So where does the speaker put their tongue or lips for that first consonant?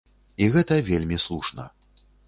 velum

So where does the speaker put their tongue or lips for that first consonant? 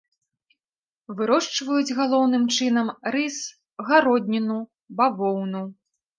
lips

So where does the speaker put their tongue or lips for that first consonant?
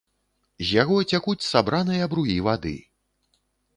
tongue tip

